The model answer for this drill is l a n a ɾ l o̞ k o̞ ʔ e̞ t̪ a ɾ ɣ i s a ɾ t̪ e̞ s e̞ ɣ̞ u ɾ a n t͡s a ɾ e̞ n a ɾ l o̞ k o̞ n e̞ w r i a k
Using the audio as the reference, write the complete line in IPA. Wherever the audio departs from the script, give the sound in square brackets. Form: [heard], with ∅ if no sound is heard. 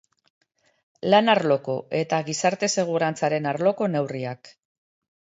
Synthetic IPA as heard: l a n a ɾ l o̞ k o̞ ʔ e̞ t̪ a [∅] ɣ i s a ɾ t̪ e̞ s e̞ ɣ̞ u ɾ a n t͡s a ɾ e̞ n a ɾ l o̞ k o̞ n e̞ w r i a k